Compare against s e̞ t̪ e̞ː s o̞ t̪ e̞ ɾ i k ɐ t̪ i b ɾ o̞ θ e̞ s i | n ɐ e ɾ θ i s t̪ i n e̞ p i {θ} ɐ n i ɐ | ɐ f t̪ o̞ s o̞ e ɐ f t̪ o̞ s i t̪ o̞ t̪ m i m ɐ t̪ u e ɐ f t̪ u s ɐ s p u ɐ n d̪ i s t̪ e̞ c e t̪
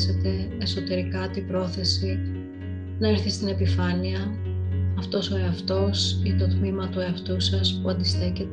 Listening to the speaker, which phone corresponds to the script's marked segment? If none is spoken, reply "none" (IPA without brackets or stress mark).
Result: f